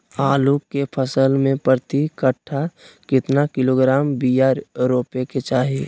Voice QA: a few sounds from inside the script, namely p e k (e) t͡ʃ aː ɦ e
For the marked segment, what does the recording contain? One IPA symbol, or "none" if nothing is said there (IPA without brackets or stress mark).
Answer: e